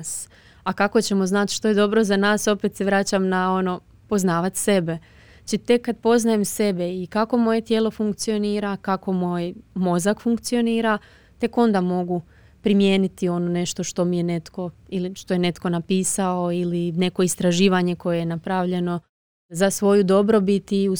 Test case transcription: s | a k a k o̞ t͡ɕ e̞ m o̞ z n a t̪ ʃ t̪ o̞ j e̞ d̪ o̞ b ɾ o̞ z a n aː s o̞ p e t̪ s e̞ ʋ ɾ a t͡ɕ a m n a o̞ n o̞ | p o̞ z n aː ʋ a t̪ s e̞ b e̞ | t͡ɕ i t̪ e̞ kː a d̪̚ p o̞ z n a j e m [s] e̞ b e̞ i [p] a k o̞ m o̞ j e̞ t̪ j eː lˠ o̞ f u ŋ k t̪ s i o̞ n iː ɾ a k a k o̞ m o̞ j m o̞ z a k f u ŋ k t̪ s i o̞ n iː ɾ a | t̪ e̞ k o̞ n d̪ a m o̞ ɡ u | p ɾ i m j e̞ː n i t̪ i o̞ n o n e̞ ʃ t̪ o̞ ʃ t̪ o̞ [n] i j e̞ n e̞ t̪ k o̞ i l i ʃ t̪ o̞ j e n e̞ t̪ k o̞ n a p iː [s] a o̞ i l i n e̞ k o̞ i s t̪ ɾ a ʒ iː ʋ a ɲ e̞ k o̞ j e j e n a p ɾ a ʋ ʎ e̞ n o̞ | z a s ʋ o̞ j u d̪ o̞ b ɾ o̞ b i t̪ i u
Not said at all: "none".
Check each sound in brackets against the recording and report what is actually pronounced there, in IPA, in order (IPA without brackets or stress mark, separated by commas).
s, k, m, s